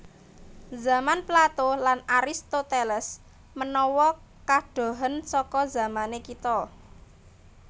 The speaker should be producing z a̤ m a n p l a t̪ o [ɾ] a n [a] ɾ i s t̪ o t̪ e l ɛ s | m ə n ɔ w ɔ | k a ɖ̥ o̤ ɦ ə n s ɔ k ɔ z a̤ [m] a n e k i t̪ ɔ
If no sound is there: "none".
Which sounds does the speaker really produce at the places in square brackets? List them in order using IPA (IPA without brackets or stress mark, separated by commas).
l, a, m